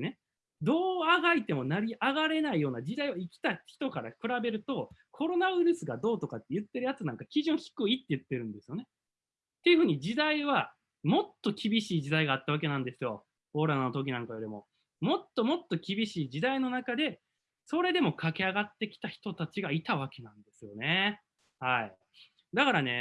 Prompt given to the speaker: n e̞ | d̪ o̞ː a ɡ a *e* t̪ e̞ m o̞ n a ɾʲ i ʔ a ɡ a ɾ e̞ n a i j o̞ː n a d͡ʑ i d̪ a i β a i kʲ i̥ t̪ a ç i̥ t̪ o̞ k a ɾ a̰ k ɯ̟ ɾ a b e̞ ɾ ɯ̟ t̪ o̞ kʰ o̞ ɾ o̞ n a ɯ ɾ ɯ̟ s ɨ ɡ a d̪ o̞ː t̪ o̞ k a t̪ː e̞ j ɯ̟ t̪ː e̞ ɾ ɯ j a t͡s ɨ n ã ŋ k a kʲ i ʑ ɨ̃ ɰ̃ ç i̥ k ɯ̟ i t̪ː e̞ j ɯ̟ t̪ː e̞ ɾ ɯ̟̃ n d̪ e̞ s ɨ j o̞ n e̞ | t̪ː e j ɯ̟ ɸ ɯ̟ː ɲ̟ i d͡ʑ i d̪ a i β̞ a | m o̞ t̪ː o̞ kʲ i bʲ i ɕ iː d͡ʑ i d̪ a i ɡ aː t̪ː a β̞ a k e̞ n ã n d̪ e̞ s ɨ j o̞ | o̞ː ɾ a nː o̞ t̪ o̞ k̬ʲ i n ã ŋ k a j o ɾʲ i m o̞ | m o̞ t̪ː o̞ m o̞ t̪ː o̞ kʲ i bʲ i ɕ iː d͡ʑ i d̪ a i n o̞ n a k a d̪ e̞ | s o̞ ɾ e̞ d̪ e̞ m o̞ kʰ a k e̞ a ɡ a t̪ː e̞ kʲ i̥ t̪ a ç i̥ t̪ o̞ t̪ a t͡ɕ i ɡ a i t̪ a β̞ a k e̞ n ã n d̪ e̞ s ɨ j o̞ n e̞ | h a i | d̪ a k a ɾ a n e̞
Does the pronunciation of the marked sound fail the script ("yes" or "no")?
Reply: yes